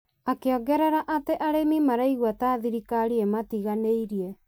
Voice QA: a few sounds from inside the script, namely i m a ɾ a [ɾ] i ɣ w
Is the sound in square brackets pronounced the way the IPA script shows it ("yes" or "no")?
no